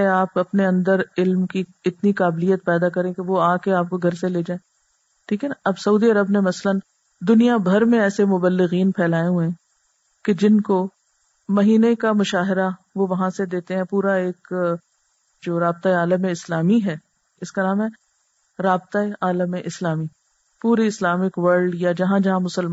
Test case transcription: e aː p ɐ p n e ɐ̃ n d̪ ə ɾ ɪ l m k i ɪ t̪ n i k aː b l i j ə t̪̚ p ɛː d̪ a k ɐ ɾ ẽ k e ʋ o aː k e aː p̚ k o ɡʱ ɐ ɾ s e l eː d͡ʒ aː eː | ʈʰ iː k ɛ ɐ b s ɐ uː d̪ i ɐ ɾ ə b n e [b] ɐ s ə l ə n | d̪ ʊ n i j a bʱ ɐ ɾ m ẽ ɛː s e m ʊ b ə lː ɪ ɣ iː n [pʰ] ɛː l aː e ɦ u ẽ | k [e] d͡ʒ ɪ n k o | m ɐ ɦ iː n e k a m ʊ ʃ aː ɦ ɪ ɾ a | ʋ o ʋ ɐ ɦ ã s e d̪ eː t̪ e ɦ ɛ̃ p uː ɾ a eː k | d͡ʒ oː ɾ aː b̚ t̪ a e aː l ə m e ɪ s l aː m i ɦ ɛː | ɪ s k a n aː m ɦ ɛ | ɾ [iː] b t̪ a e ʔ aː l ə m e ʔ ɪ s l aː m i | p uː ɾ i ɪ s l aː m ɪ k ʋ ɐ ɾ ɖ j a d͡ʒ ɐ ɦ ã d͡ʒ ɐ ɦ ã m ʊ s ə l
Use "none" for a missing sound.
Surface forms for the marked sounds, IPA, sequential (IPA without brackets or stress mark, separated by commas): m, pʰ, e, aː